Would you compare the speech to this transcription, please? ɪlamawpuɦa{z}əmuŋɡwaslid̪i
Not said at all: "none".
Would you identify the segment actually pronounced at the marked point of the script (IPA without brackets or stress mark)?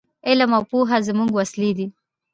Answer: z